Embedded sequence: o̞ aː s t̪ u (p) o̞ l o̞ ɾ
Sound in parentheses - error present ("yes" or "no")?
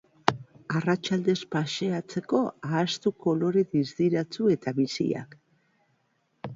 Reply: yes